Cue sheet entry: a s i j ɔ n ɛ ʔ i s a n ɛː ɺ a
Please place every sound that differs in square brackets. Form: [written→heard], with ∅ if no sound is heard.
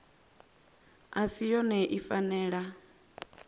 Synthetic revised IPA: a s i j ɔ n ɛ ʔ i [s→f] a n ɛː ɺ a